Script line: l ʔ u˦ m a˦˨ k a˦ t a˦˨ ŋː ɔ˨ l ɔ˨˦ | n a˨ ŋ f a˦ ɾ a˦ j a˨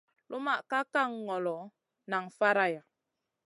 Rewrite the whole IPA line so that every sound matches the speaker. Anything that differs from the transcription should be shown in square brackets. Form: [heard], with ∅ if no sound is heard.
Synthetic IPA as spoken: l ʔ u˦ m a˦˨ k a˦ [k] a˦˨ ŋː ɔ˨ l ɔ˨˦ | n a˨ ŋ f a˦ ɾ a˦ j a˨